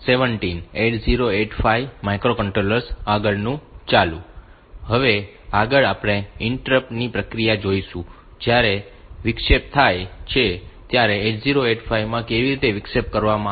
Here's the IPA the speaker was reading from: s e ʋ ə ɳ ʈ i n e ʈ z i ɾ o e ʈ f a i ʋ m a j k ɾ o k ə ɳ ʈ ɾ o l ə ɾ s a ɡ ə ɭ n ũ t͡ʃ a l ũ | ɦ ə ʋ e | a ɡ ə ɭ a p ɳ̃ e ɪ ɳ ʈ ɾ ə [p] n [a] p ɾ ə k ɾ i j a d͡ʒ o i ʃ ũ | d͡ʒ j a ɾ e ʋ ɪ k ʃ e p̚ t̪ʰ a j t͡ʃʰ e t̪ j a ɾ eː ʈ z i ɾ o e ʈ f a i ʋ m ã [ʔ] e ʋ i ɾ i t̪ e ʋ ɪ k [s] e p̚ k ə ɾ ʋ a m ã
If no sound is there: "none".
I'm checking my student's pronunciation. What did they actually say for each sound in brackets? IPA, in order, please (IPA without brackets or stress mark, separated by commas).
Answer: p, i, k, ʃ